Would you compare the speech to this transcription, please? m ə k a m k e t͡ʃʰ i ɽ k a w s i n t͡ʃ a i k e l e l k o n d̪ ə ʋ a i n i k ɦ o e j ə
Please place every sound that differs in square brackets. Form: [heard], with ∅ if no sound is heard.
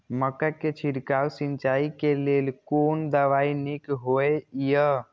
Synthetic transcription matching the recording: m ə k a [∅] k e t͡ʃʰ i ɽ k a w s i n t͡ʃ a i k e l e l k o n d̪ ə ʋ a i n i k ɦ o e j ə